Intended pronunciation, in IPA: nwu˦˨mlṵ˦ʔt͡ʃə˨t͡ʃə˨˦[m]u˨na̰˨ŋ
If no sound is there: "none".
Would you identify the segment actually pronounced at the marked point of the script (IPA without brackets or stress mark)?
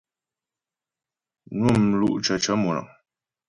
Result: m